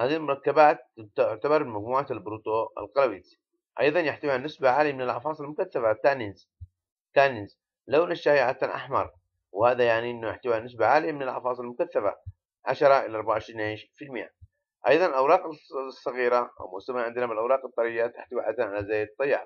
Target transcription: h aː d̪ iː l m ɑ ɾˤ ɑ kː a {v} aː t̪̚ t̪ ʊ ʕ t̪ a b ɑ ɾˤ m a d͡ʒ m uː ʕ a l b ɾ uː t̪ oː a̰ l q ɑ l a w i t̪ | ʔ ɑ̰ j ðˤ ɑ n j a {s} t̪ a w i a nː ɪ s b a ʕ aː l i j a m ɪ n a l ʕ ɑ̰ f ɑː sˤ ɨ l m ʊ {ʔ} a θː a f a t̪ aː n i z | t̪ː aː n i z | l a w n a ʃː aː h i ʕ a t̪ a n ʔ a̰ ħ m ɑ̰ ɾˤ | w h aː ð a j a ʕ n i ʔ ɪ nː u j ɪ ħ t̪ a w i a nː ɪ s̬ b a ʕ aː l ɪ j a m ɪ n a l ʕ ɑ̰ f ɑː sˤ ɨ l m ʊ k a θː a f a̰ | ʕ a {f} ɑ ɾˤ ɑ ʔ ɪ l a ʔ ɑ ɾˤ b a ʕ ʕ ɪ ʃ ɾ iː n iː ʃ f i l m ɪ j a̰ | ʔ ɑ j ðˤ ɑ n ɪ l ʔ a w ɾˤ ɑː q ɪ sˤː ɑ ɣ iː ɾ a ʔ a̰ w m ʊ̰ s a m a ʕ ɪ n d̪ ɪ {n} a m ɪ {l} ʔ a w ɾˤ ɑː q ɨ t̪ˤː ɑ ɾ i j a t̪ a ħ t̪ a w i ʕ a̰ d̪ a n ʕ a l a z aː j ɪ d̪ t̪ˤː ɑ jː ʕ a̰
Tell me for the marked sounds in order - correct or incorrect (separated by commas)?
incorrect, incorrect, incorrect, incorrect, correct, correct